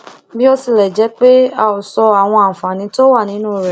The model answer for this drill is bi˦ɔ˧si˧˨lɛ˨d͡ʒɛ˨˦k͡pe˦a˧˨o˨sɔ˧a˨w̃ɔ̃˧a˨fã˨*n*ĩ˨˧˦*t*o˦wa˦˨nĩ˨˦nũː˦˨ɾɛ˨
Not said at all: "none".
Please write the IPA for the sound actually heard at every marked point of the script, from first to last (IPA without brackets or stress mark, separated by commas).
n, t